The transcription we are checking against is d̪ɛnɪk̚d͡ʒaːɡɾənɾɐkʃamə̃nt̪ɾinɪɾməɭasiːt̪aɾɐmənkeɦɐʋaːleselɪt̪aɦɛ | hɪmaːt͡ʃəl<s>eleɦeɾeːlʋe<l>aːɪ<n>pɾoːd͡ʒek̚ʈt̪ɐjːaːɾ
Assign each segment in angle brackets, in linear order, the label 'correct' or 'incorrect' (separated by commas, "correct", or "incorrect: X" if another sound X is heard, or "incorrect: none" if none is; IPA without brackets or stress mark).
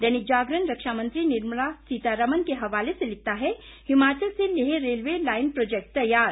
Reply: correct, correct, correct